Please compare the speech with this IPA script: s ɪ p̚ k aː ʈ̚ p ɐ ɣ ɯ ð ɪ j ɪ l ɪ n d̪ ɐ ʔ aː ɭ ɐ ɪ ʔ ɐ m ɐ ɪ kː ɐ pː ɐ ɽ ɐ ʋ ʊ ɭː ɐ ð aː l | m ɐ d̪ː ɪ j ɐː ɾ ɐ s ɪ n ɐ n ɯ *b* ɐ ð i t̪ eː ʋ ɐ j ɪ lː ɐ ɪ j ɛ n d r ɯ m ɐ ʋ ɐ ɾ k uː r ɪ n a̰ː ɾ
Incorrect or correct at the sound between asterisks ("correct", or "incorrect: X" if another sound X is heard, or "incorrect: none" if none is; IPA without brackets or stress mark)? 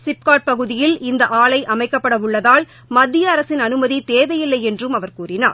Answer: incorrect: m